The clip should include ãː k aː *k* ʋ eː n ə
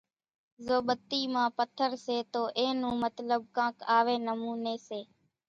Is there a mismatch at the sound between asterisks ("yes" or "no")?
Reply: yes